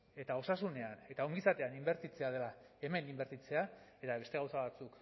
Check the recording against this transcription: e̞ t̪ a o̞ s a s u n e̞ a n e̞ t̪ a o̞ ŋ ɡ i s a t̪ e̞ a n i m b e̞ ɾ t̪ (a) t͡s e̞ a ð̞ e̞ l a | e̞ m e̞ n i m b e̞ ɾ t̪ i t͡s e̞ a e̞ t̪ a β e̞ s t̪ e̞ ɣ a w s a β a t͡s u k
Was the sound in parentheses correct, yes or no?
no